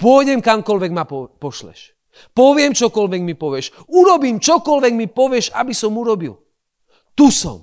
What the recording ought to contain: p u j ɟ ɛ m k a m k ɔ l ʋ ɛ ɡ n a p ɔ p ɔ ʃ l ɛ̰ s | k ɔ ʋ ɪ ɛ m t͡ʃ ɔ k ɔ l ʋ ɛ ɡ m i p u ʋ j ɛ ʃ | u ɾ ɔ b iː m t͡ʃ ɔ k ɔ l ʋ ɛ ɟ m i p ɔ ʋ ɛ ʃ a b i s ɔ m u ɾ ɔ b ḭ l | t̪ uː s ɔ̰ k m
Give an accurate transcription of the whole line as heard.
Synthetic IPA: p ɔ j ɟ ɛ m k a m k ɔ l ʋ ɛ ɡ m a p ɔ p ɔ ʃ l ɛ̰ ʃ | p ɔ ʋ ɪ ɛ m t͡ʃ ɔ k ɔ l ʋ ɛ ɡ m i p ɔ ʋ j ɛ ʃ | u ɾ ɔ b iː m t͡ʃ ɔ k ɔ l ʋ ɛ ɡ m i p ɔ ʋ ɛ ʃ a b i s ɔ m u ɾ ɔ b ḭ l | t̪ u s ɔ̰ m